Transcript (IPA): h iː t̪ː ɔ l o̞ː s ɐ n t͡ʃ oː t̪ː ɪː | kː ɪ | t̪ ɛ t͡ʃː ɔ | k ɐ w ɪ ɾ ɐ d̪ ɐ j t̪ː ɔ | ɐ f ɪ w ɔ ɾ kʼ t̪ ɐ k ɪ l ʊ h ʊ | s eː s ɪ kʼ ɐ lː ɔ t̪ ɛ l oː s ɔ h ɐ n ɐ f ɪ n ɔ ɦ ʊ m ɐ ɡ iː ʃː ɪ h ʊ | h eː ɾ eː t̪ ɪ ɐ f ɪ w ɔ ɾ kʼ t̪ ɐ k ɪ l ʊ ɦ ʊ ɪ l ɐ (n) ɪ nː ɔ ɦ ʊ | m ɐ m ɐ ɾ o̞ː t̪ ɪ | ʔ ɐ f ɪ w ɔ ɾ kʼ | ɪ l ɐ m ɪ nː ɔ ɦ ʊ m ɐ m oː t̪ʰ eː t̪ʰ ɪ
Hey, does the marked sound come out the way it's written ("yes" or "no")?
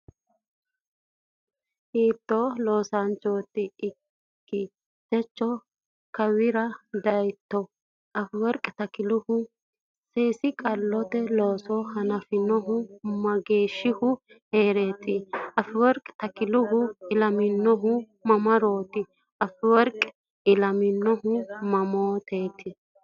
no